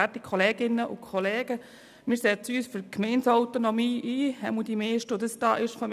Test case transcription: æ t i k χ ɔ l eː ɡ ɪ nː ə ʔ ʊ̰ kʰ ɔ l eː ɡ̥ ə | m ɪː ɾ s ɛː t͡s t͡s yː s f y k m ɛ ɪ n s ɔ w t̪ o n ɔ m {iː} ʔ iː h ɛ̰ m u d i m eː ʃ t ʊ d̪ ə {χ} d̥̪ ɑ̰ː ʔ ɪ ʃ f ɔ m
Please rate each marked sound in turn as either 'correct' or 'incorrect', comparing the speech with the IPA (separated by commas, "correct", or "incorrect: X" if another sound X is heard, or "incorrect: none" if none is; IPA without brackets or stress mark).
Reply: correct, incorrect: s